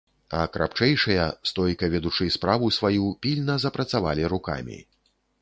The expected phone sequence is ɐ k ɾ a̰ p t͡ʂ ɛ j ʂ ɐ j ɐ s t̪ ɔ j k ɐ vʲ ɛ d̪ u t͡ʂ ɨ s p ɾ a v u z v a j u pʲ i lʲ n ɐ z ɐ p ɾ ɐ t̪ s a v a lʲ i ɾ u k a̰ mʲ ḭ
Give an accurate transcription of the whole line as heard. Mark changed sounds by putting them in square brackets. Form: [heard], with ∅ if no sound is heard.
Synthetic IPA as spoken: ɐ k ɾ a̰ p t͡ʂ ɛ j ʂ ɐ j ɐ s t̪ ɔ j k ɐ vʲ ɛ d̪ u t͡ʂ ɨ s p ɾ a v u [s] v a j u pʲ i lʲ n ɐ z ɐ p ɾ ɐ t̪ s a v a lʲ i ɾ u k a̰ mʲ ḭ